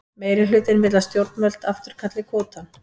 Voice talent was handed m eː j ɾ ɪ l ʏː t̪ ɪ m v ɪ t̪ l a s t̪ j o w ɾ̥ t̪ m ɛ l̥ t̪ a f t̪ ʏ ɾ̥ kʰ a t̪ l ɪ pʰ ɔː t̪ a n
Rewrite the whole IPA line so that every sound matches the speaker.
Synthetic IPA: m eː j ɾ ɪ l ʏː t̪ ɪ n v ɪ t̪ l a s t̪ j o w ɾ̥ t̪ m œ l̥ t̪ a f t̪ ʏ ɾ̥ kʰ a t̪ l ɪ kʰ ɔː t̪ a n